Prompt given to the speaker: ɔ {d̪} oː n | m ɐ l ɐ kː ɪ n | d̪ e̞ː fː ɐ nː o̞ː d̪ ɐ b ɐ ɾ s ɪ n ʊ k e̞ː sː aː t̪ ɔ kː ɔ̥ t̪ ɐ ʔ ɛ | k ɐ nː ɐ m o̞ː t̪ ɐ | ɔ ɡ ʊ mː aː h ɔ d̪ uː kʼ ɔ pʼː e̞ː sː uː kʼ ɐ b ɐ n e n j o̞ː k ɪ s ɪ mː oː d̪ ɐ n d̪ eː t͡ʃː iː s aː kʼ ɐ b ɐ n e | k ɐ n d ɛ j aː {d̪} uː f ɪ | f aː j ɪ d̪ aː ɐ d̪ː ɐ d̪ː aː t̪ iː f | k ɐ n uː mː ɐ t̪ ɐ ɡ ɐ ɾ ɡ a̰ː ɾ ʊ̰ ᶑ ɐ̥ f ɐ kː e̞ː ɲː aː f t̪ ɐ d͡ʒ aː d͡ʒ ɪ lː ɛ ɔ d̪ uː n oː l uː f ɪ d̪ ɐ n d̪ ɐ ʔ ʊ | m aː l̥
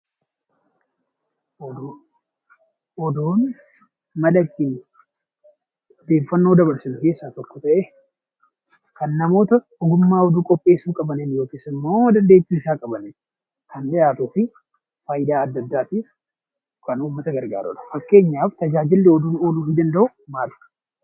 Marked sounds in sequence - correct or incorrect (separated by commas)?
correct, incorrect